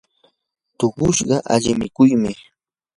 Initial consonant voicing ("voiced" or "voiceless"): voiceless